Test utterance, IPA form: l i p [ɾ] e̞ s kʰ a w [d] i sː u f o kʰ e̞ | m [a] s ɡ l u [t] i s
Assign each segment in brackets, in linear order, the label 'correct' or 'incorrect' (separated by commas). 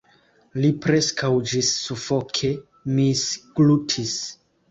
correct, incorrect, incorrect, incorrect